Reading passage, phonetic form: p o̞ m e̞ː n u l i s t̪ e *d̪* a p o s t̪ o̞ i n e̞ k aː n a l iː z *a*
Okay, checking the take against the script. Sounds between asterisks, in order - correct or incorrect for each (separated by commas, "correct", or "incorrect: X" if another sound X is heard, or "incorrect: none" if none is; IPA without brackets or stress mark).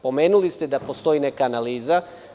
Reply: correct, correct